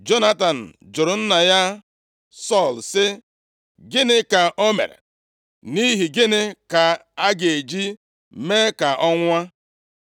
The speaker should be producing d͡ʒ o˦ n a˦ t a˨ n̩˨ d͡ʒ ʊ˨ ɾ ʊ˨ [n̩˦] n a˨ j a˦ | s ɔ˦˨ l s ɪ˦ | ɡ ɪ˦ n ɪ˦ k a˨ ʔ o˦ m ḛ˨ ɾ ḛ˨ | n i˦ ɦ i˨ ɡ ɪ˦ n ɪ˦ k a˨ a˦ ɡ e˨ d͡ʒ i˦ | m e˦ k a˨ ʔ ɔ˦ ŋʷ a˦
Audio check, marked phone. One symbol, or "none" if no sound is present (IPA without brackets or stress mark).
n̩˦